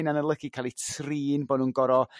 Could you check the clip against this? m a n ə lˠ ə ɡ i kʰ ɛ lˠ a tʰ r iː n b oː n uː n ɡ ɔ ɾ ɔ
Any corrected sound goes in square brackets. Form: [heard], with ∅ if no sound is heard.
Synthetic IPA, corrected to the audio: [n] a n ə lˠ ə ɡ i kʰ [a] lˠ [i] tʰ r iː n b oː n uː n ɡ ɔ ɾ ɔ